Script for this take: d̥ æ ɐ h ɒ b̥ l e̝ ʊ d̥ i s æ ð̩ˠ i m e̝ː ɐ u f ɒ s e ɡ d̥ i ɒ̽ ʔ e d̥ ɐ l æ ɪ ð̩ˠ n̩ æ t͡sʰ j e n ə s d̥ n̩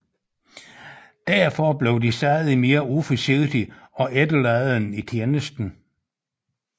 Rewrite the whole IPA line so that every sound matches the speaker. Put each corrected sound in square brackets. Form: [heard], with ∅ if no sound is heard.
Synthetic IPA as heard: d̥ æ ɐ [f] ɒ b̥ l e̝ ʊ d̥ i s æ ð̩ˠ i m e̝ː ɐ u f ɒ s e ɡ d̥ i ɒ̽ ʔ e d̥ [ə] l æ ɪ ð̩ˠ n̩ [i] t͡sʰ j e n ə s d̥ n̩